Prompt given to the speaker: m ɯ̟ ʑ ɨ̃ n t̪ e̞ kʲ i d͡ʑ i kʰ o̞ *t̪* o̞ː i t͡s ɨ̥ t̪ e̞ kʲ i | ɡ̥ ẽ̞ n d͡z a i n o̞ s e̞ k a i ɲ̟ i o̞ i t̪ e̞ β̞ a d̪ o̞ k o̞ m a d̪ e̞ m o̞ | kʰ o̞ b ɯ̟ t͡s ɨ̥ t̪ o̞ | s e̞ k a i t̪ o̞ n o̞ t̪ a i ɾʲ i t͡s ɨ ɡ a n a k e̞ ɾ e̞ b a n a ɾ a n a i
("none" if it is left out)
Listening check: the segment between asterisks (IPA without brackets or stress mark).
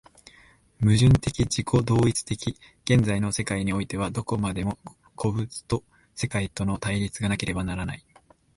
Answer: d̪